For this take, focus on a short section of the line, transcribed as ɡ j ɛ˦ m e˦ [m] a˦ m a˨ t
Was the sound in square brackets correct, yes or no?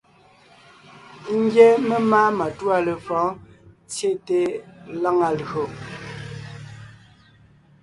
yes